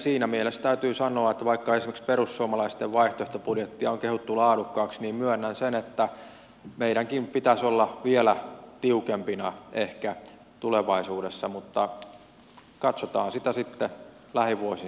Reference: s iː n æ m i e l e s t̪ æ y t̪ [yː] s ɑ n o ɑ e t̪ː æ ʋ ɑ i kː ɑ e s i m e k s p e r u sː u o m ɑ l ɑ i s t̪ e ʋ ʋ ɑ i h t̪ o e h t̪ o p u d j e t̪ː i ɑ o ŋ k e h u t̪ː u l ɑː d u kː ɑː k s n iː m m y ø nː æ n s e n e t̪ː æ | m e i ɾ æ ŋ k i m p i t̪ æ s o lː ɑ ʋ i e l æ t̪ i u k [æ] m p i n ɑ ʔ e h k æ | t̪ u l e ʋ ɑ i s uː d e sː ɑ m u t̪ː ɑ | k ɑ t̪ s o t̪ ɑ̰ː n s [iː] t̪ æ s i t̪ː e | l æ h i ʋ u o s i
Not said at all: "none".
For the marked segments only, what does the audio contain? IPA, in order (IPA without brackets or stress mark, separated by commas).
yː, e, i